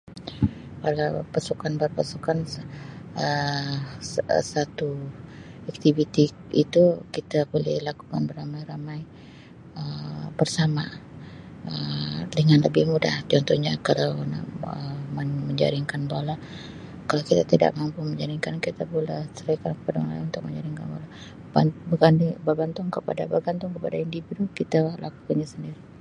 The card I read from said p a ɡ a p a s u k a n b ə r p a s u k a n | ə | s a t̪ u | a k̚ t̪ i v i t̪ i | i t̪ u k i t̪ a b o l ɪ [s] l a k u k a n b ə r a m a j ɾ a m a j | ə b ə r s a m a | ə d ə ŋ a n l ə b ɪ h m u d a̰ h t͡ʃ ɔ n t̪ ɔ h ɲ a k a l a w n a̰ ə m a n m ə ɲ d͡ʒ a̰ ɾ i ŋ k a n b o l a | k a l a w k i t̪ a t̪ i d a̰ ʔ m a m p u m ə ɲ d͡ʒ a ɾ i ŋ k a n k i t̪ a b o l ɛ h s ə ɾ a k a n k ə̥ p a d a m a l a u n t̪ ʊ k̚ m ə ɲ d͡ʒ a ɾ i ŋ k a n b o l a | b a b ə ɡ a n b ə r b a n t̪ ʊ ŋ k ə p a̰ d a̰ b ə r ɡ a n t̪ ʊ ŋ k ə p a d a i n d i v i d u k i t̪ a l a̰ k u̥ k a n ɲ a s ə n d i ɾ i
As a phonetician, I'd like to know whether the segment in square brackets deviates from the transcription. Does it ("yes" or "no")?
yes